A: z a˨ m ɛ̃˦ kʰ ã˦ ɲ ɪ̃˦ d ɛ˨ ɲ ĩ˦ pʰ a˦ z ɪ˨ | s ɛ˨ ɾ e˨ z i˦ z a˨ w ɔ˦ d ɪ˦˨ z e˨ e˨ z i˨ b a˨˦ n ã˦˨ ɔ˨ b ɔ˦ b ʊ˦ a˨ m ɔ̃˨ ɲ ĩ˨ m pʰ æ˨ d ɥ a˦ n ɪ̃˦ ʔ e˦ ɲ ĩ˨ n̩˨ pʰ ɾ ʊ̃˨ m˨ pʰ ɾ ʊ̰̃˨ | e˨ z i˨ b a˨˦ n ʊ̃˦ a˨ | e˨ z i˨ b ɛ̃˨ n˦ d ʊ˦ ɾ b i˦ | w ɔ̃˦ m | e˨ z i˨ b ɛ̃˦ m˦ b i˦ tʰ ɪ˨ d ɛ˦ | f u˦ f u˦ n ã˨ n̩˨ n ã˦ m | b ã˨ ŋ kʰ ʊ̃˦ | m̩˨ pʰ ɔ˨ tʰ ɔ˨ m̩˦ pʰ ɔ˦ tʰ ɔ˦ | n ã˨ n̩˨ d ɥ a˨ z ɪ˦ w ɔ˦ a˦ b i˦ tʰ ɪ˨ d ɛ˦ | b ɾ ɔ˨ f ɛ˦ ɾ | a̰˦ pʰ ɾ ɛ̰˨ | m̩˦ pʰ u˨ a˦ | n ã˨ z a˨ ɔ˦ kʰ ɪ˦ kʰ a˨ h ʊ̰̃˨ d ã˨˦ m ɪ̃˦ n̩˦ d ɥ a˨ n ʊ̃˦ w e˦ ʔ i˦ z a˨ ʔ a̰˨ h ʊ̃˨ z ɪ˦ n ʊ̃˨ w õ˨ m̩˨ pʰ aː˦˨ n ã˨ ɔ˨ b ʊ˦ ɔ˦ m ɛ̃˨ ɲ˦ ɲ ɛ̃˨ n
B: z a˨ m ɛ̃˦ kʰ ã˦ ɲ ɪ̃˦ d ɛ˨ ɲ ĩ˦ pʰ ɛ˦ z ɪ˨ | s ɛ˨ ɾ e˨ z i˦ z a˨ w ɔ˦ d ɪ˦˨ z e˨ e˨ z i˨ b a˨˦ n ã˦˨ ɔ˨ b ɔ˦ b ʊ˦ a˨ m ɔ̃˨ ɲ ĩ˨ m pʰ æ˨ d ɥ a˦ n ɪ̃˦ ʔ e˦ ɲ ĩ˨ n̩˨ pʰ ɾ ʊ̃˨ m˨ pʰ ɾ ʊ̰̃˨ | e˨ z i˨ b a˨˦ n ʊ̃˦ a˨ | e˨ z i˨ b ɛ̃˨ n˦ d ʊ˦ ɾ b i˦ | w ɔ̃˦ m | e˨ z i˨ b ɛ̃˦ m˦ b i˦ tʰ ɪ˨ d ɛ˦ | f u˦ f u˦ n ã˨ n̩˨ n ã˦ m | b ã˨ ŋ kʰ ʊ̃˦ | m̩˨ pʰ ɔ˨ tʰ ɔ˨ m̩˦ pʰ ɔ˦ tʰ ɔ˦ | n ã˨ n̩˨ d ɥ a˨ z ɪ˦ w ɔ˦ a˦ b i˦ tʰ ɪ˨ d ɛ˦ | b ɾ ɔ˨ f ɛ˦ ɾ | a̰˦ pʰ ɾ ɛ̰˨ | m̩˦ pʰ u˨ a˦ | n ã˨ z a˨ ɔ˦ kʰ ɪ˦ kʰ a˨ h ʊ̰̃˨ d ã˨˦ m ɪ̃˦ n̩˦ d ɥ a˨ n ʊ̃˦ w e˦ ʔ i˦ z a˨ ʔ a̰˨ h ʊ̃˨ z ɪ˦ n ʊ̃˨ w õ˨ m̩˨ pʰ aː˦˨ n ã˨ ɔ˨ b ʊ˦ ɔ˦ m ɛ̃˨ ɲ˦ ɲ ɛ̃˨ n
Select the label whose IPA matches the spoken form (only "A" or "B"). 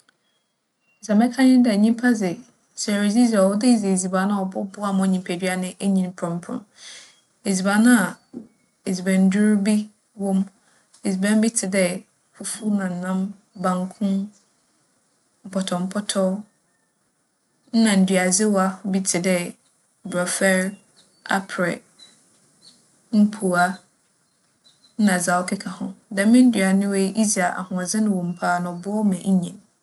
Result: A